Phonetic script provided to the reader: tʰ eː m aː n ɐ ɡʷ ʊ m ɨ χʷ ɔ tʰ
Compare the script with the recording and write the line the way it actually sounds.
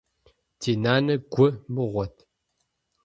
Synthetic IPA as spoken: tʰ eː n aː n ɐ ɡʷ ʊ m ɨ ʁʷ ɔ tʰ